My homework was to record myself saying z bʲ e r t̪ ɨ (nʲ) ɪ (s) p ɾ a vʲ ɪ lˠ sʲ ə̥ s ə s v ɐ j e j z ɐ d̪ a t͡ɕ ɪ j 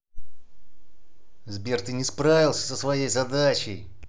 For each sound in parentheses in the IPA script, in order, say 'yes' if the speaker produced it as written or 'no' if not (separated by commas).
yes, yes